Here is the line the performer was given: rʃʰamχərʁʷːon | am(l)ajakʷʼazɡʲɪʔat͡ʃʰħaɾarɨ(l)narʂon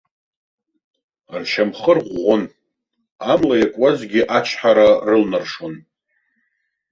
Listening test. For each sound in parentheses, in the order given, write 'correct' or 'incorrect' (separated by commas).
correct, correct